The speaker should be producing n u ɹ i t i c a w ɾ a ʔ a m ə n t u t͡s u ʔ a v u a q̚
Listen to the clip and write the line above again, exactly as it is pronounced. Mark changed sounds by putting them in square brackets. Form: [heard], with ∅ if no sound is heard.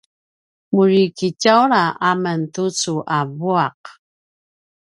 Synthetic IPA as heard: [m] u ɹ i [k] i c a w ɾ a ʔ a m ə n t u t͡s u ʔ a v u a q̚